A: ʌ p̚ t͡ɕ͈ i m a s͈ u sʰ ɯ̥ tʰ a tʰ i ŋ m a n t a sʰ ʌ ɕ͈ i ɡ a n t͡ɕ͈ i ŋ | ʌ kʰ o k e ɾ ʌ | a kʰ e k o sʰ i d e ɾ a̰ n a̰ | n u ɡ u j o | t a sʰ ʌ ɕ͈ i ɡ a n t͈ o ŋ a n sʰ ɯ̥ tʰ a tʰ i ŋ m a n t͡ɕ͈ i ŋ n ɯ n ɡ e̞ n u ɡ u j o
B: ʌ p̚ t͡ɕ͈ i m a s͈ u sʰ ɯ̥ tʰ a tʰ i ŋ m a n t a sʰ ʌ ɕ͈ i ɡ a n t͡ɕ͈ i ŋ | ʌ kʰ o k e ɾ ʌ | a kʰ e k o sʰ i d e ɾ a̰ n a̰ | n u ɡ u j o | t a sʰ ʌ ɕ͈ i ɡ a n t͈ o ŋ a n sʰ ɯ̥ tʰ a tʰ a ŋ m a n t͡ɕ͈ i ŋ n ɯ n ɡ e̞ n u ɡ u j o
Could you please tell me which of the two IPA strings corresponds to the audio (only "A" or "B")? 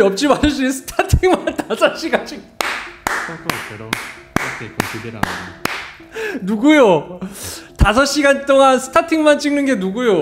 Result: A